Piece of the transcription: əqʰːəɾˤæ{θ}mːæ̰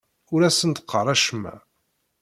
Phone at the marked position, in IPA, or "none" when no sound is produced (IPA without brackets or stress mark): ʃ